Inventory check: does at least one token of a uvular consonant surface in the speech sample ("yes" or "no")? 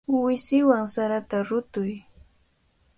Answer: no